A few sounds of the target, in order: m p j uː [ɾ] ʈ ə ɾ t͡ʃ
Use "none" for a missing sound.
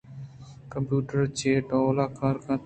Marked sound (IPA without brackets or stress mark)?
none